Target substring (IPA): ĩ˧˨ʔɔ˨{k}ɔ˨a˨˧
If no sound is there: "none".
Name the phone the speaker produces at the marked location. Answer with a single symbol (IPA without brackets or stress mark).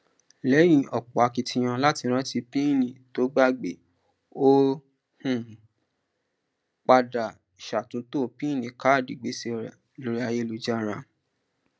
k͡p